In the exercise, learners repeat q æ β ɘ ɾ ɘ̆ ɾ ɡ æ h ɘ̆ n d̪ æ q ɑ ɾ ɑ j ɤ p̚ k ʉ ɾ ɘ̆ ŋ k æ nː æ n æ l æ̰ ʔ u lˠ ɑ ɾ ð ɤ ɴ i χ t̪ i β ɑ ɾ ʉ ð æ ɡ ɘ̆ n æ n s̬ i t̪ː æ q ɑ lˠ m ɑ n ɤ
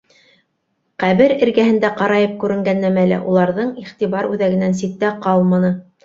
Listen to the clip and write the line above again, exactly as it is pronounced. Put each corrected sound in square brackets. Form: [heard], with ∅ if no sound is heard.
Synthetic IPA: q æ β ɘ ɾ ɘ̆ ɾ ɡ æ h ɘ̆ n d̪ æ q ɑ ɾ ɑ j ɤ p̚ k ʉ ɾ ɘ̆ ŋ [ɡ] æ nː æ [m] æ l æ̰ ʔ u lˠ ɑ ɾ ð ɤ ɴ i χ t̪ i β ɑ ɾ ʉ ð æ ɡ ɘ̆ n æ n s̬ i t̪ː æ q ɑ lˠ m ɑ n ɤ